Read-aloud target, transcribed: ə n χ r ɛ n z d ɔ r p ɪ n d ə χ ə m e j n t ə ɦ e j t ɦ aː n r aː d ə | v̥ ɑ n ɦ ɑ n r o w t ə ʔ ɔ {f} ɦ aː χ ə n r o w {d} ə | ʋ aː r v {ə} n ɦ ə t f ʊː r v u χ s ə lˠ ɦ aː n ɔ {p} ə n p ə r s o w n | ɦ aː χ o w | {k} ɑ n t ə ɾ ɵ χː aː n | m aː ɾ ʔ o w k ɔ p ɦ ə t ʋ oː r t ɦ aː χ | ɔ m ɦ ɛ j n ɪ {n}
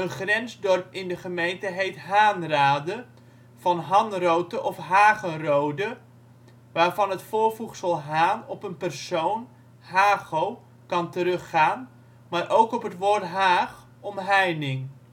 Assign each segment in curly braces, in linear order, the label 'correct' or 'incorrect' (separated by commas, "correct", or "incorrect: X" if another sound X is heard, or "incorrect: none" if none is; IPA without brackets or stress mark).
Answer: correct, correct, incorrect: ɑ, correct, correct, incorrect: ŋ